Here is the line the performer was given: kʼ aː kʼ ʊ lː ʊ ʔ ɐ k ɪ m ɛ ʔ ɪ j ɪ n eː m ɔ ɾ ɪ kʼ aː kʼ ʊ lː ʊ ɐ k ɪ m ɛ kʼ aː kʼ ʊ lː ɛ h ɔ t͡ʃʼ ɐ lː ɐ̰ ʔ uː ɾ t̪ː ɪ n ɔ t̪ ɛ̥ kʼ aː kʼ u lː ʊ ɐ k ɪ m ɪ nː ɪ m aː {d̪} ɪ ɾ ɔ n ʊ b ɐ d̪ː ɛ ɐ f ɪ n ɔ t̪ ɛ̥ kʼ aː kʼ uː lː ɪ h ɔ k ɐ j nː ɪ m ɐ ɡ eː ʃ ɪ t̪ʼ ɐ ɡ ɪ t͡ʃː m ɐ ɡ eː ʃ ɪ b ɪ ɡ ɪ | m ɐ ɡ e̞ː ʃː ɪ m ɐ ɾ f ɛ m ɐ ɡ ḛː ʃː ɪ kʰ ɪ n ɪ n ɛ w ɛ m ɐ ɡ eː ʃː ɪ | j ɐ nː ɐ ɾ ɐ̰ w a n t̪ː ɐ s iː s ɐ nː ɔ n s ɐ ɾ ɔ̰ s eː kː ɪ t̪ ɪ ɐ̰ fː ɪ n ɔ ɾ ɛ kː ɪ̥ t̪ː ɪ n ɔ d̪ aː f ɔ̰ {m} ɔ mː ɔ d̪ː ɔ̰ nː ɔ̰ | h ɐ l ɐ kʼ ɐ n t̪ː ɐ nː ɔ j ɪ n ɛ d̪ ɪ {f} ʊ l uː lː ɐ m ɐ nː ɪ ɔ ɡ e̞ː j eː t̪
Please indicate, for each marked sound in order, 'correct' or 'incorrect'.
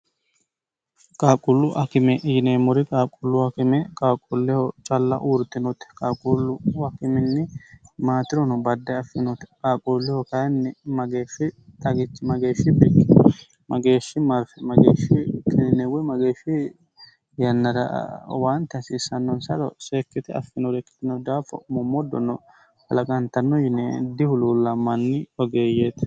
incorrect: t̪, correct, incorrect: h

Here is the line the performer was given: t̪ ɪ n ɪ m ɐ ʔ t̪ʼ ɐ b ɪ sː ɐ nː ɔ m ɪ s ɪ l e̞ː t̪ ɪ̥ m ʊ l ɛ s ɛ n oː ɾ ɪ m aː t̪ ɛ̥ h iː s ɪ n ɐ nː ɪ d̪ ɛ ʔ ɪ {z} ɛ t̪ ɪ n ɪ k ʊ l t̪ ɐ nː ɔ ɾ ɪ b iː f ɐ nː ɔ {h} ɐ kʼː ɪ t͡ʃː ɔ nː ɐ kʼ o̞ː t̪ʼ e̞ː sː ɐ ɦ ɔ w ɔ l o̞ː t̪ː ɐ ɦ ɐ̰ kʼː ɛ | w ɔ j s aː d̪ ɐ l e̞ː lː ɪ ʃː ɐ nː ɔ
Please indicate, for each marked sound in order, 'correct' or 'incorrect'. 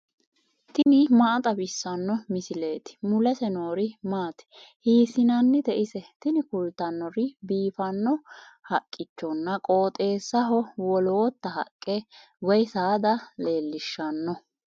incorrect: s, correct

